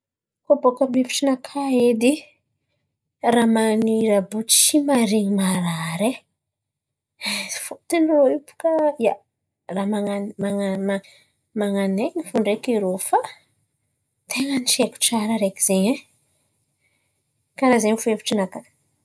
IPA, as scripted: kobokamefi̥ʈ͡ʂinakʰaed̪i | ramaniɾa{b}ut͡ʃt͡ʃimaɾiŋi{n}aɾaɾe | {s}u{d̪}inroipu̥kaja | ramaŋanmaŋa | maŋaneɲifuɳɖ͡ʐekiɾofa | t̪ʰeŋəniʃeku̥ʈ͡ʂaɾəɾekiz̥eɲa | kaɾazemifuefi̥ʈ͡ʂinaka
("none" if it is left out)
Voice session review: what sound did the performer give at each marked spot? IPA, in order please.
b, m, f, t̪

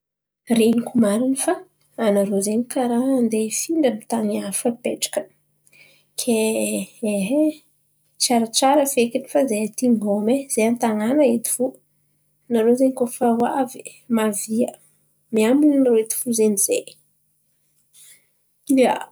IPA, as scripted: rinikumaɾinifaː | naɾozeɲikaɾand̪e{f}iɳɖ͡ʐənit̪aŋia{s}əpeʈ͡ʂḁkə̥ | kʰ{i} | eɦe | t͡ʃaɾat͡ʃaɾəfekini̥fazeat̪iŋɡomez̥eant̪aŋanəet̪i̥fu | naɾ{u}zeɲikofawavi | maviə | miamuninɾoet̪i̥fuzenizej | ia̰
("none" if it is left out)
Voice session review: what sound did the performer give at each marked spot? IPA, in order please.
f, f, e, o

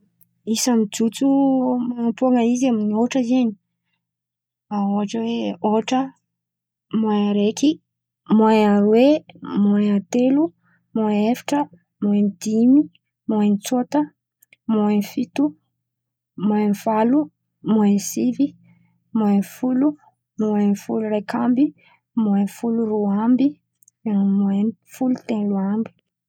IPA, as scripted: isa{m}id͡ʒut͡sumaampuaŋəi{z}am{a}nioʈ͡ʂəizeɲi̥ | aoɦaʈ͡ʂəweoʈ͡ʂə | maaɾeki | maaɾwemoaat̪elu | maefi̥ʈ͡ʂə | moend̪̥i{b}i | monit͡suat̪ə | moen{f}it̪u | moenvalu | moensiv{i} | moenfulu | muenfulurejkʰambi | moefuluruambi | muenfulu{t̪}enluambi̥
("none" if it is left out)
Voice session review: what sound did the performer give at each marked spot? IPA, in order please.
m, z, i, m, f, i, t̪

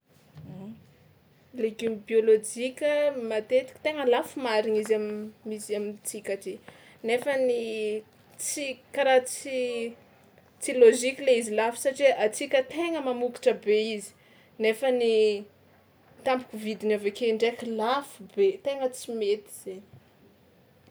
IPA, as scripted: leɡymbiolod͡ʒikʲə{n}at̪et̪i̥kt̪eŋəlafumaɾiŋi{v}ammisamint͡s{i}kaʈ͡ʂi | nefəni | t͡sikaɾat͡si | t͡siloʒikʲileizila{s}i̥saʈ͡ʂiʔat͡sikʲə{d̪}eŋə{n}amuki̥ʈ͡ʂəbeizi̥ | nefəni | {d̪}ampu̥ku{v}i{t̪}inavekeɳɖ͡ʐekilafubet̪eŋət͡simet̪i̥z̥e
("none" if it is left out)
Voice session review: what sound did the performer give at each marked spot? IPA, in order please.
m, z, i, f, t̪, m, t̪, v, d̪

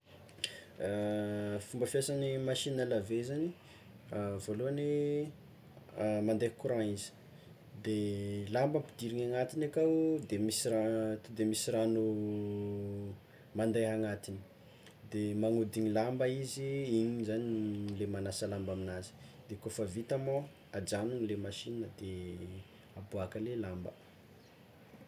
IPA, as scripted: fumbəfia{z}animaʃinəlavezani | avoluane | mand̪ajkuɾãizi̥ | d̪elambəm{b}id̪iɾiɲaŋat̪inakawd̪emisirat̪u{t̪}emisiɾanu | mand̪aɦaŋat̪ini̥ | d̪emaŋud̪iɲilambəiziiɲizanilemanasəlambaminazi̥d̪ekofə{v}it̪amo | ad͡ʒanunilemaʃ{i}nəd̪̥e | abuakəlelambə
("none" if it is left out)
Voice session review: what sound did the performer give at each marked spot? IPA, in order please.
s, p, d̪, v, i

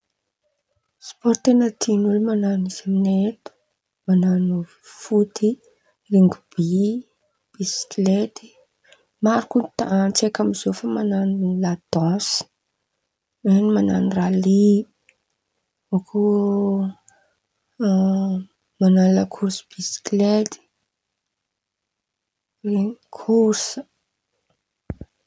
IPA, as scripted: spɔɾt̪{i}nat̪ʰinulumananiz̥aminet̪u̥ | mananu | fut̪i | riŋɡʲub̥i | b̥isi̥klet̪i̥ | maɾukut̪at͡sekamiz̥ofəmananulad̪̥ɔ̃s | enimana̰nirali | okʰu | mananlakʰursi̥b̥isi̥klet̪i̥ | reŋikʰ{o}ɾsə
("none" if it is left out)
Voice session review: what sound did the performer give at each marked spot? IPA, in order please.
e, u

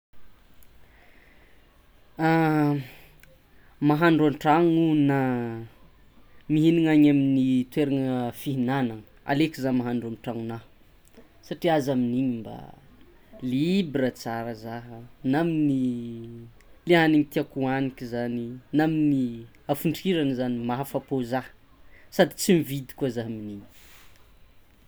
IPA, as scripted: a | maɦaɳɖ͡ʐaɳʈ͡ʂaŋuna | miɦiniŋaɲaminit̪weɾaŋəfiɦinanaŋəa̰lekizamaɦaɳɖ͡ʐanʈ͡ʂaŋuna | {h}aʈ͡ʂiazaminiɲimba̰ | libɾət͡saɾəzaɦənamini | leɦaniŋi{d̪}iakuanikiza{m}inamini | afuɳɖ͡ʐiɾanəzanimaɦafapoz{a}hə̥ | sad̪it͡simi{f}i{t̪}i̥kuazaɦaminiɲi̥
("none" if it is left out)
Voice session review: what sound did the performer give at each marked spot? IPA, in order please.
s, t̪, n, a, v, d̪

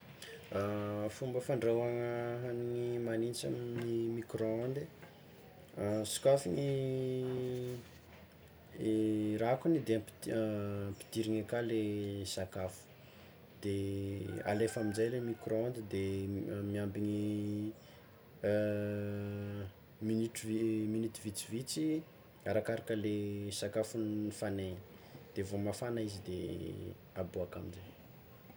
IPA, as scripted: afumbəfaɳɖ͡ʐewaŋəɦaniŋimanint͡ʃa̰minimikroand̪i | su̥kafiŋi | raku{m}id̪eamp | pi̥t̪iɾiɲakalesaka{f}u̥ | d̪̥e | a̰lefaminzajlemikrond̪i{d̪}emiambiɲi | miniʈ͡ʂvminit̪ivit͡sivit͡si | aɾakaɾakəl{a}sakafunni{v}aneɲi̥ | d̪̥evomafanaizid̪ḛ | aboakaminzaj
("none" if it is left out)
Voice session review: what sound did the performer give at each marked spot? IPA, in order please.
n, f, d̪, e, f

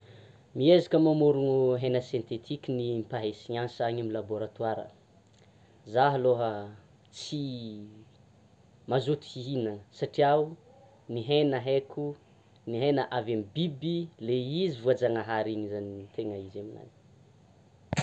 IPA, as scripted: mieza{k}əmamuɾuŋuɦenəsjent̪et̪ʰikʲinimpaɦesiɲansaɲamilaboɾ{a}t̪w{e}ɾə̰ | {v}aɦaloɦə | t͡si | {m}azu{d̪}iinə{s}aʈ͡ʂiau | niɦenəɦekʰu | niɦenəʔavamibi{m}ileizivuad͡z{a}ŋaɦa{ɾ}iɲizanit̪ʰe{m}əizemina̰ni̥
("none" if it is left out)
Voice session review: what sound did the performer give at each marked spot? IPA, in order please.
k, a, a, z, m, t̪, s, b, a, ɾ, ŋ

